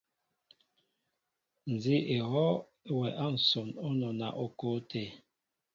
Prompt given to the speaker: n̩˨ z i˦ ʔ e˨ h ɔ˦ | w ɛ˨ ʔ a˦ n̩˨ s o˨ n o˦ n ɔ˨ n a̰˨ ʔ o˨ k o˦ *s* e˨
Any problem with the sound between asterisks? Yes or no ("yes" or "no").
yes